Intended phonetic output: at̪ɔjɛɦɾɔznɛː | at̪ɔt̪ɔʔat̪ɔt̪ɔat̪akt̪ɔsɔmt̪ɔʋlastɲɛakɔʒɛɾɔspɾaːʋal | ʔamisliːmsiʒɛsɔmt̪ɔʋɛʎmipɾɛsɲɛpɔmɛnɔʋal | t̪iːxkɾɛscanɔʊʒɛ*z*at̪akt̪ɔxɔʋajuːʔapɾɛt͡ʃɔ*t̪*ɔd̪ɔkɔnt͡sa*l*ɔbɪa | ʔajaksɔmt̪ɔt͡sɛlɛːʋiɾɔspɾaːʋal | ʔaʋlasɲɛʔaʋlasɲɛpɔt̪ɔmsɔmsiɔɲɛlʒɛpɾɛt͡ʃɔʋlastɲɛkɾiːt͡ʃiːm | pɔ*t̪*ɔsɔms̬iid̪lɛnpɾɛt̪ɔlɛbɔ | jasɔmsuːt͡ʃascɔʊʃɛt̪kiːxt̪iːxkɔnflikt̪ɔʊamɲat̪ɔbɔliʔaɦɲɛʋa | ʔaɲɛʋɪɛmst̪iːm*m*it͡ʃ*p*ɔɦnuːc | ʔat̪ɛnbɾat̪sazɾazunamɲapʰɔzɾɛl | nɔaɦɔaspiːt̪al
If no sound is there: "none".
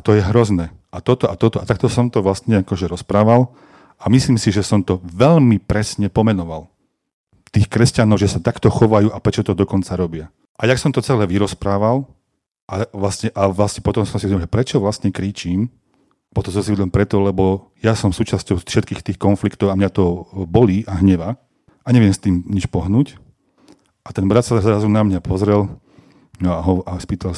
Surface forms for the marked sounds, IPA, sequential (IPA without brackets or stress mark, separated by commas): s, t̪, ɾ, t̪, ɲ, p